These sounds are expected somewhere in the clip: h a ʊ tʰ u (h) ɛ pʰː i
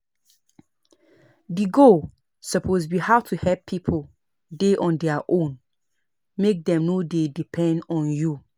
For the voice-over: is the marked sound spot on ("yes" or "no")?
yes